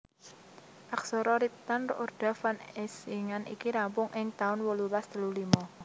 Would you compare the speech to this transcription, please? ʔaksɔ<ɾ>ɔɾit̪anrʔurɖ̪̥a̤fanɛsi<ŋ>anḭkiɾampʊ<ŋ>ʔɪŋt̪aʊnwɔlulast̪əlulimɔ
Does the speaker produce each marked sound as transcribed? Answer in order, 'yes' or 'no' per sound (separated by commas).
yes, yes, yes